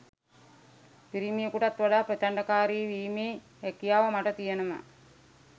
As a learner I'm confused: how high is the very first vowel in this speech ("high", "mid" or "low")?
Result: high